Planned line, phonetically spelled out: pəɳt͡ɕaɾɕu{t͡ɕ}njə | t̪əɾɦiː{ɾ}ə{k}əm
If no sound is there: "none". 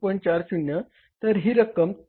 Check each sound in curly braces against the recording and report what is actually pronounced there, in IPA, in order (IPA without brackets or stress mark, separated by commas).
none, ɾ, k